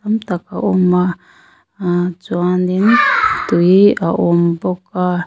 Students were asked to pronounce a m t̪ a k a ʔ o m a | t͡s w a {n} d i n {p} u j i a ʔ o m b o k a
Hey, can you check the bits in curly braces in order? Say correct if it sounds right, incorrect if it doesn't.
correct, incorrect

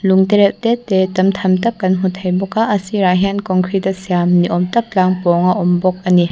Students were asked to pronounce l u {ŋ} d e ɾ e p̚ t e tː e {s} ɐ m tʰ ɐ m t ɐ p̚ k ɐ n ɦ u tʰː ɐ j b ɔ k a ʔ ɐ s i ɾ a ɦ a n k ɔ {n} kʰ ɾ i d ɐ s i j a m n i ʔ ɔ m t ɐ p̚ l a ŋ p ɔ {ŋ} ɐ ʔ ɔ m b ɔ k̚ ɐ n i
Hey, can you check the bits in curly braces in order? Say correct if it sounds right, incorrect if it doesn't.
correct, incorrect, incorrect, correct

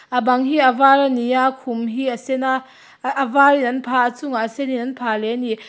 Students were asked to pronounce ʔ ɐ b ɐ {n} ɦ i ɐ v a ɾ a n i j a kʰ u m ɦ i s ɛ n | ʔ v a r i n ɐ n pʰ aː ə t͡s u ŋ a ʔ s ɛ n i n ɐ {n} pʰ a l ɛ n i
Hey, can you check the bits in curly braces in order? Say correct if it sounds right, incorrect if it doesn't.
incorrect, correct

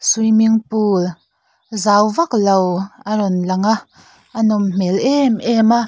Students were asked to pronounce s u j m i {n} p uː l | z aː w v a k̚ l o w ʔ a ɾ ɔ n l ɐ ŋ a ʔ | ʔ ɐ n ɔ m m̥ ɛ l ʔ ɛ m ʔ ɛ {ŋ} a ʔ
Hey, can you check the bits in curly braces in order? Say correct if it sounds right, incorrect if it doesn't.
incorrect, incorrect

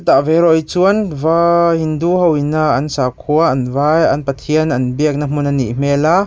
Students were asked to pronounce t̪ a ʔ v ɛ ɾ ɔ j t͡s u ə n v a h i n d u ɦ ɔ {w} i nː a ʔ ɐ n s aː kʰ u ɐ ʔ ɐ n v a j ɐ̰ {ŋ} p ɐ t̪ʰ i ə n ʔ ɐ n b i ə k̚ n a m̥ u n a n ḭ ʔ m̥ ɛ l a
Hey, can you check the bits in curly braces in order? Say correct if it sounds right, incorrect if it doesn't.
correct, incorrect

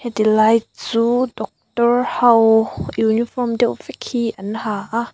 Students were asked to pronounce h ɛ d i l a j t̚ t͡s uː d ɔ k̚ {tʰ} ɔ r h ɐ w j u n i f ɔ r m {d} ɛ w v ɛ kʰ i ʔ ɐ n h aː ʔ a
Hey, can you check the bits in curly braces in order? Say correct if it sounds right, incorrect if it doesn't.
incorrect, correct

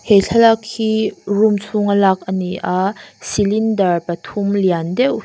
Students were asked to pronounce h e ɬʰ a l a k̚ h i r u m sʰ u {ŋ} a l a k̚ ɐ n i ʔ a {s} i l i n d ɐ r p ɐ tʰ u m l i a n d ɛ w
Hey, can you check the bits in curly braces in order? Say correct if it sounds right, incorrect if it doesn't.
correct, correct

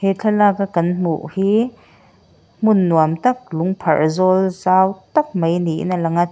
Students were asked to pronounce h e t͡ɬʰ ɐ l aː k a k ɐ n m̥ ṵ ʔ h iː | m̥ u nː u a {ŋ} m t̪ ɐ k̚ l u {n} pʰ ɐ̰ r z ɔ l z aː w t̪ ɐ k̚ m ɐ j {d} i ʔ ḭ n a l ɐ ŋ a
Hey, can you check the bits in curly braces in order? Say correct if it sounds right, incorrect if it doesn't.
incorrect, incorrect, incorrect

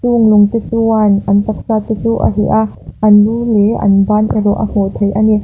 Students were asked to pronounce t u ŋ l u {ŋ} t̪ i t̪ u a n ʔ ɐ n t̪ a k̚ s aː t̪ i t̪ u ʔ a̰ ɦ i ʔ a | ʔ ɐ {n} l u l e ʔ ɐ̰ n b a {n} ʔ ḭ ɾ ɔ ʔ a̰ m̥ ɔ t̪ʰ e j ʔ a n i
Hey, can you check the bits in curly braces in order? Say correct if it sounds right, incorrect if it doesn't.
correct, correct, correct

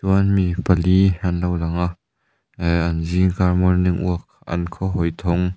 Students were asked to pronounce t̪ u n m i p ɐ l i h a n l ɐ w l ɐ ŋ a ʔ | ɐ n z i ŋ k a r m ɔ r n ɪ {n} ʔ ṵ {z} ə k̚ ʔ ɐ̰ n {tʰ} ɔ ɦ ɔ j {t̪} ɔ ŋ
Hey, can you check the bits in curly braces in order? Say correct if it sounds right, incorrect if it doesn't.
incorrect, incorrect, incorrect, incorrect

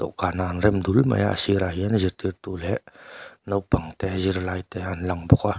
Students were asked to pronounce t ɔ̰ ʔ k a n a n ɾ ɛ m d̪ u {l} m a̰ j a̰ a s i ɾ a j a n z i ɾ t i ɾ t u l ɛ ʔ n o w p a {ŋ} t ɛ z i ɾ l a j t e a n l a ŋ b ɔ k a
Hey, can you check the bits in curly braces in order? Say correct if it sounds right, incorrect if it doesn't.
correct, correct

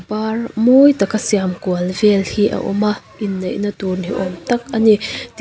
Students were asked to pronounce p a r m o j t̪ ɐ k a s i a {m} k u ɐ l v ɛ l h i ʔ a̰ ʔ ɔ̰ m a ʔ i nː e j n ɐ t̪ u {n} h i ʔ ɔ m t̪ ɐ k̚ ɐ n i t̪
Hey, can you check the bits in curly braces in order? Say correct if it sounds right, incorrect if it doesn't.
correct, correct

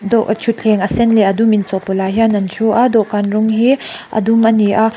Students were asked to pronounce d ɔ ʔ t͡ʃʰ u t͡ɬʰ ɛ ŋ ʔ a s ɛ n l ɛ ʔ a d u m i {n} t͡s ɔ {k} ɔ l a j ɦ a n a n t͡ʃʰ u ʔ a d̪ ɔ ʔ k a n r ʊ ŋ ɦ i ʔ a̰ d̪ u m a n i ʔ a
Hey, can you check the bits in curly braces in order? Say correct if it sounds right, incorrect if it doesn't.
correct, incorrect

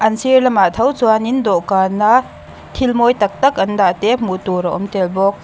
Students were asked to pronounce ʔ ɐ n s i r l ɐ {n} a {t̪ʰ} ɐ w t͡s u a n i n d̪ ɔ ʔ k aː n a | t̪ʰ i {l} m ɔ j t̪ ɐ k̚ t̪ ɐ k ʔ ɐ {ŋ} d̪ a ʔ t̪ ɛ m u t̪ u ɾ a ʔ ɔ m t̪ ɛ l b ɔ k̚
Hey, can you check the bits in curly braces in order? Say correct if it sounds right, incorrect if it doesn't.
incorrect, correct, correct, incorrect

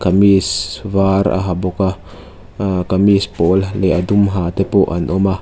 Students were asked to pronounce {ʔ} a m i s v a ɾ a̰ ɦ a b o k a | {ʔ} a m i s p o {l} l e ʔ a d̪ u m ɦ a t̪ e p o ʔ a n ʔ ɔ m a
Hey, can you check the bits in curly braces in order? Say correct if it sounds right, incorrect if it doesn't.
incorrect, incorrect, correct

